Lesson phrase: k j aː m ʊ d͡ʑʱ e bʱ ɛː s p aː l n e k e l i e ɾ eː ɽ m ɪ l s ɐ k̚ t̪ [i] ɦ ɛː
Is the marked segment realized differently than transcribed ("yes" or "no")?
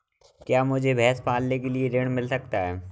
yes